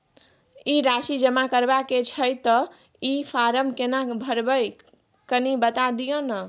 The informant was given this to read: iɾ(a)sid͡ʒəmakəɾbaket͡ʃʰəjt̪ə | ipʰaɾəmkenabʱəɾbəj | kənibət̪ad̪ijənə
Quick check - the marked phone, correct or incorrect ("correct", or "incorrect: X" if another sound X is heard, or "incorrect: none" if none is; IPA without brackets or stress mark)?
correct